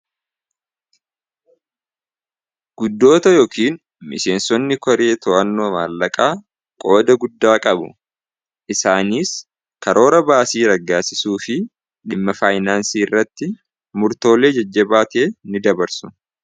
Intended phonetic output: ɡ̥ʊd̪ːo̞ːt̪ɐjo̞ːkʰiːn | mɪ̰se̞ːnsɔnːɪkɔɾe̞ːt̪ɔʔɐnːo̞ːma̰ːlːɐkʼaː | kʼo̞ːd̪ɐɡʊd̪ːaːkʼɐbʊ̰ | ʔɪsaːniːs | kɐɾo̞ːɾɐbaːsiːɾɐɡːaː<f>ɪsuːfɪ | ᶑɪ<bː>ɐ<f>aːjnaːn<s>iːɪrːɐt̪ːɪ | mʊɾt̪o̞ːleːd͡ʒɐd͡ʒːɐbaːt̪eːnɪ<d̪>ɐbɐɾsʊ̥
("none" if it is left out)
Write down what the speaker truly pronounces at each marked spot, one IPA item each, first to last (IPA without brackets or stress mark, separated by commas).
s, mː, f, s, d̪